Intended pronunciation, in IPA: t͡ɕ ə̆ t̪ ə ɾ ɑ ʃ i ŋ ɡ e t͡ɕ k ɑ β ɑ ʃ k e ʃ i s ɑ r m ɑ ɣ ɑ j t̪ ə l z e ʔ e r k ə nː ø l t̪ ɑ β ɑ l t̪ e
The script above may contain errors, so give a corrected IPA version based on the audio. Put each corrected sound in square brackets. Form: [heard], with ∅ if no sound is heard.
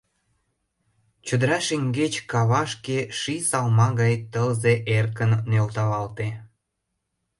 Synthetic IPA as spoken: t͡ɕ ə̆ [d̪] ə ɾ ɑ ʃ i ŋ ɡ e t͡ɕ k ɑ β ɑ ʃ k e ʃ i s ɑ [l] m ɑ ɣ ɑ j t̪ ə l z e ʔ e r k ə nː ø l t̪ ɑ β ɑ l t̪ e